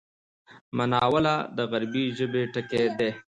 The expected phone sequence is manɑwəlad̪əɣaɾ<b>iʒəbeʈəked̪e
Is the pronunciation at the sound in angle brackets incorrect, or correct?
correct